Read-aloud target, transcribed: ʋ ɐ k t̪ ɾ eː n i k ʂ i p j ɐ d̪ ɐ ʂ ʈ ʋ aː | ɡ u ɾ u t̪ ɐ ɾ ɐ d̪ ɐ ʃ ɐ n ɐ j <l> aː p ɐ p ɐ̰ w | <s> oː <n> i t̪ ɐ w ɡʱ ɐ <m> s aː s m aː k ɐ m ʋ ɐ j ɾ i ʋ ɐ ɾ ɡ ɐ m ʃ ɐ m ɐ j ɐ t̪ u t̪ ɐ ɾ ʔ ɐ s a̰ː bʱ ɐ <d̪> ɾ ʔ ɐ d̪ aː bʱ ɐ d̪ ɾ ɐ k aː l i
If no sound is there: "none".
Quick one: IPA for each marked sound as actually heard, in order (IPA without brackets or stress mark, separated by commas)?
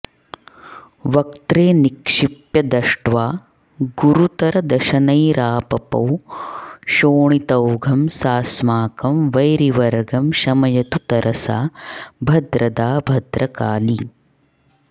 ɾ, ʃ, ɳ, m, d̪